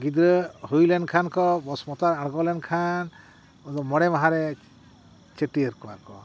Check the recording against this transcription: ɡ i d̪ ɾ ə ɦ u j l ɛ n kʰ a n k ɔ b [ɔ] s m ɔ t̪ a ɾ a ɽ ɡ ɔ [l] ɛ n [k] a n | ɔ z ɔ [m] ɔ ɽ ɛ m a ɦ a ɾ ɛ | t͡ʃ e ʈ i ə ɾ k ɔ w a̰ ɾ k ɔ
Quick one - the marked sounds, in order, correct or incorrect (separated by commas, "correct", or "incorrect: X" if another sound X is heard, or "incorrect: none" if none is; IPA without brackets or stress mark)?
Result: correct, correct, incorrect: kʰ, correct